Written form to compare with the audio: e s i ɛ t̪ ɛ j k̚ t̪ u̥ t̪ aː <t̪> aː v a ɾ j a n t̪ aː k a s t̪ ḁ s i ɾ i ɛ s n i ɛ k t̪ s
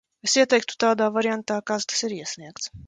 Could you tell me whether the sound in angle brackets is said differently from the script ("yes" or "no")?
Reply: yes